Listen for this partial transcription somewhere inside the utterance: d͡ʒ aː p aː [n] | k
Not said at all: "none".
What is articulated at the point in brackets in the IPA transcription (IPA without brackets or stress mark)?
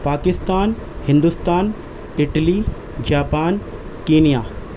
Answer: n